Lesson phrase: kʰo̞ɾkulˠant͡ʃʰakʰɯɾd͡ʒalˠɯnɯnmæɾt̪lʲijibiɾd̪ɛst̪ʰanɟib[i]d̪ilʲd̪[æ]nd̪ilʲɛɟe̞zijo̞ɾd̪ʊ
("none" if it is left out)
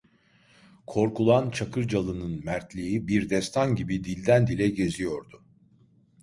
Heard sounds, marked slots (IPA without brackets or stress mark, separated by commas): i, æ